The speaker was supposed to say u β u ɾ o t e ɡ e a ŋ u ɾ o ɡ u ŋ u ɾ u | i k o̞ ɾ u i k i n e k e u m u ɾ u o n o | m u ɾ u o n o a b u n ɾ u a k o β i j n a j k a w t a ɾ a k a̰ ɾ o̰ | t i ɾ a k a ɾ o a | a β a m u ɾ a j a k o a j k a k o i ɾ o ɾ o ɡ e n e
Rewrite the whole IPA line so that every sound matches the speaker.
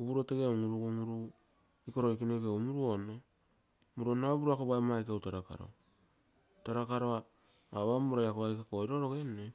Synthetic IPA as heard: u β u ɾ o t e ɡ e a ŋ u ɾ u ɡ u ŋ u ɾ u | i k o̞ ɾ o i k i n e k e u m u ɾ u o n o | m u ɾ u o n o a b u ɾ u a k o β a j m a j k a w t a ɾ a k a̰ ɾ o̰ | t a ɾ a k a ɾ o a | a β a m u ɾ a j a k o a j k a k o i ɾ o ɾ o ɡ e n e